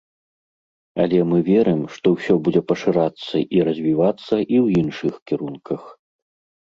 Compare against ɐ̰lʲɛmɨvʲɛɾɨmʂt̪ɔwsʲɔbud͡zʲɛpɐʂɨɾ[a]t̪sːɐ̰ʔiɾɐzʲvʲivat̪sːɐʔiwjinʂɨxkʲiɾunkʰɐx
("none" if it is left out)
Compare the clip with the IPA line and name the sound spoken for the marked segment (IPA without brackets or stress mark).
a